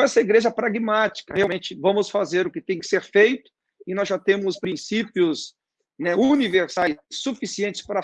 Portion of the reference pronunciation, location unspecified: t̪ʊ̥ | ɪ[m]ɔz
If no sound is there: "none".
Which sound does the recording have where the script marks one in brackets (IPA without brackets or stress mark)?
n